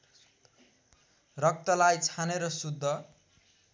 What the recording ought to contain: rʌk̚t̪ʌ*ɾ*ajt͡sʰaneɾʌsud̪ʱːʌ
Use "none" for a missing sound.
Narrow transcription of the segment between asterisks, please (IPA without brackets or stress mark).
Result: l